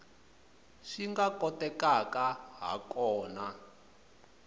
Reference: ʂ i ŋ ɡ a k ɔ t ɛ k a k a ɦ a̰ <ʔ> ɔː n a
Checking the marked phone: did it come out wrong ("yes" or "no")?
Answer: yes